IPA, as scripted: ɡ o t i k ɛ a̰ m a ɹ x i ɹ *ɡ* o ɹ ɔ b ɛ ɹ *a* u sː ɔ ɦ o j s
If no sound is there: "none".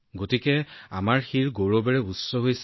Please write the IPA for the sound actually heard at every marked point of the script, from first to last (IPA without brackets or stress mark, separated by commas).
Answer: ɡ, ɛ